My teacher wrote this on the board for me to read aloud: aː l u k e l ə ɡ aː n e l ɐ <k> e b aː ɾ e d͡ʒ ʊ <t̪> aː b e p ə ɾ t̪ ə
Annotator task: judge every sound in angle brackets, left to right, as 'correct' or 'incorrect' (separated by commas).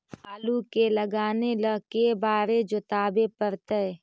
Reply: correct, correct